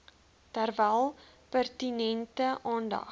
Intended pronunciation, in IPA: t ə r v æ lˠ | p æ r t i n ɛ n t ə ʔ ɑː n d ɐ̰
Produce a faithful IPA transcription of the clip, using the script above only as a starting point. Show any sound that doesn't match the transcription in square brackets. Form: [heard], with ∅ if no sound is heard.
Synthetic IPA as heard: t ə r v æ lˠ | p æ r t i n ɛ n t ə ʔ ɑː n d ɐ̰